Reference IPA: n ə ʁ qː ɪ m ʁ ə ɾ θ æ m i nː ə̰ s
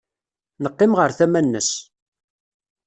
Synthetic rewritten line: n ə qː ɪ m ʁ ə ɾ θ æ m æ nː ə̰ s